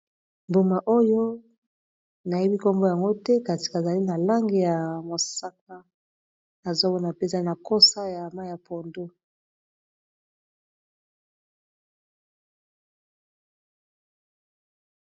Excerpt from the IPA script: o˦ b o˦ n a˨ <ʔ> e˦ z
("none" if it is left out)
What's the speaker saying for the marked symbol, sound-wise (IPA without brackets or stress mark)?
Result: p